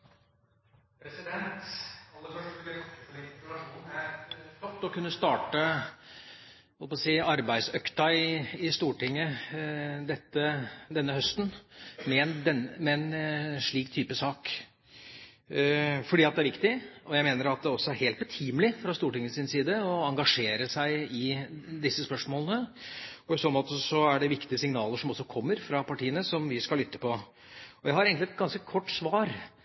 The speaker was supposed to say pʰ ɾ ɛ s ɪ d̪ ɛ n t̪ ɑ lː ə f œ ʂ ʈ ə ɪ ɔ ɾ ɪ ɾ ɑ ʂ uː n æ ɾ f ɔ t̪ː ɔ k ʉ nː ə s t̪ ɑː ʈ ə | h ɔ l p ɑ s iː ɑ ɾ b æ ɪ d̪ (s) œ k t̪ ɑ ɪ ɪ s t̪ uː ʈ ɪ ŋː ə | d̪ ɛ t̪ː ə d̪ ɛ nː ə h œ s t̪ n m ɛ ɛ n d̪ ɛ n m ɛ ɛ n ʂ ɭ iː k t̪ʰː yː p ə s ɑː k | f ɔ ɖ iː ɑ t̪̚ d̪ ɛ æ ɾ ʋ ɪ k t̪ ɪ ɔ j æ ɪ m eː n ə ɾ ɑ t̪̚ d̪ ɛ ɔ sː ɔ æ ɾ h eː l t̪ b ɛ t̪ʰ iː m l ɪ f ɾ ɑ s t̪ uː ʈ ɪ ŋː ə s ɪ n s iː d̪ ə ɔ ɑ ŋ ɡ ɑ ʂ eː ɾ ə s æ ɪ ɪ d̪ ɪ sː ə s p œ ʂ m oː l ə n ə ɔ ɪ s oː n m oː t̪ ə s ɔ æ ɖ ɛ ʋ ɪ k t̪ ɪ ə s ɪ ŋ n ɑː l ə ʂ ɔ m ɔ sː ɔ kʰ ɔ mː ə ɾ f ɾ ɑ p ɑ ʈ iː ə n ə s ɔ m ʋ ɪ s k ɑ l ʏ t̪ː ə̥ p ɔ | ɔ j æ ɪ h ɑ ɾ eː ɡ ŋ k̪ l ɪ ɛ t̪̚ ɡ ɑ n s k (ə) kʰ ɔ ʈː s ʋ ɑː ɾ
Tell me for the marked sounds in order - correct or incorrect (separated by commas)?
correct, correct